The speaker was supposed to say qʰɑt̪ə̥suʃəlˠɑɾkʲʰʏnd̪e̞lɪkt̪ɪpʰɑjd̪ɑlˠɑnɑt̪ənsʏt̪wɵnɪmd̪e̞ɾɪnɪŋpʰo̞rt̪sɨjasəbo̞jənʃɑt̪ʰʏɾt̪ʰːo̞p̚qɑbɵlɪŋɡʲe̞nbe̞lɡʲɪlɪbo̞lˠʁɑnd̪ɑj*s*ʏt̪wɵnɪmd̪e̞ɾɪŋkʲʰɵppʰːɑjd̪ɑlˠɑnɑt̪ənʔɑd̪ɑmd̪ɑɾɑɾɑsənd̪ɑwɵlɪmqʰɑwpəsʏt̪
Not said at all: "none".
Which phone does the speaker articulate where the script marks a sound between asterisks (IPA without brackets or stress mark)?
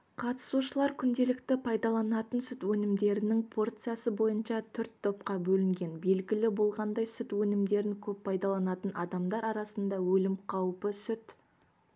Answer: s